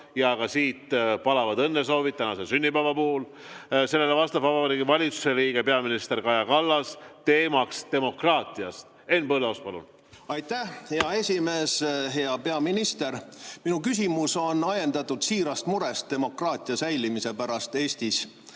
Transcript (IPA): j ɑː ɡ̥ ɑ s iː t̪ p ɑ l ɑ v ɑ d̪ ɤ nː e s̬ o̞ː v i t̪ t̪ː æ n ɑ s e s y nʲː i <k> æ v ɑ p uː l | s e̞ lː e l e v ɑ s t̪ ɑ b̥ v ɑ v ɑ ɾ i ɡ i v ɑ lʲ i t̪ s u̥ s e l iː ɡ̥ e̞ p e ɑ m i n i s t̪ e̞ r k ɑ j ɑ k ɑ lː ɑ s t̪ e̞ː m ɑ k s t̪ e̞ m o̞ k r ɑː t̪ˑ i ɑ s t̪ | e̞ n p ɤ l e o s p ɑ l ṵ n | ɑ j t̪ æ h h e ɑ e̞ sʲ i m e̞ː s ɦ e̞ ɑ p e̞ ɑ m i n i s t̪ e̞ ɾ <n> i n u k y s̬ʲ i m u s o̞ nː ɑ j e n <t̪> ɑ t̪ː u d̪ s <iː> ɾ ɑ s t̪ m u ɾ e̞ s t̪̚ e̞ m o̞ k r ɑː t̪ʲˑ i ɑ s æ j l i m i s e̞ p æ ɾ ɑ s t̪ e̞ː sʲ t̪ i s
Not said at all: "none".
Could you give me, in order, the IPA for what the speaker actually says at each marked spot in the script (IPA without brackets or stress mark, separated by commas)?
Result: p, m, d̪, iː